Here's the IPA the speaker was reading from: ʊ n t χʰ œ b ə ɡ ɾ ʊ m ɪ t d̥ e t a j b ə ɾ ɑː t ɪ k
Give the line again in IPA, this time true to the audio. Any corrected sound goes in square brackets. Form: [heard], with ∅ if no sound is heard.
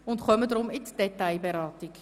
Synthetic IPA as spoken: ʊ n t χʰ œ [m] ə [d] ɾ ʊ m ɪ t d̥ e t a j b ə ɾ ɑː t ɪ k